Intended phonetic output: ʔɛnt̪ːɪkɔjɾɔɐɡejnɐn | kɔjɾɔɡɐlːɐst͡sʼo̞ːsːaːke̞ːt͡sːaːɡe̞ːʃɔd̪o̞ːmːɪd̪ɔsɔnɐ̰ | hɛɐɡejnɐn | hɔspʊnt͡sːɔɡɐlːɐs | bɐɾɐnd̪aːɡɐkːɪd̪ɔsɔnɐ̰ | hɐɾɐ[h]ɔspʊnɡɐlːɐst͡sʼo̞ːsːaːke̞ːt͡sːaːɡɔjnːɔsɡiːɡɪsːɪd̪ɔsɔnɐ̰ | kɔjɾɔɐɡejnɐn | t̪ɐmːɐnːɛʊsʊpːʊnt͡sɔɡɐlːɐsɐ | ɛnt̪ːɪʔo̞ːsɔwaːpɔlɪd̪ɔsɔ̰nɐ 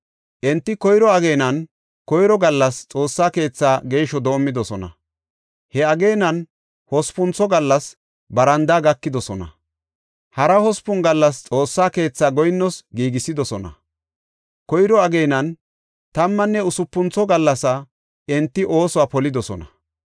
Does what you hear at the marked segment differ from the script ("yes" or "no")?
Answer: no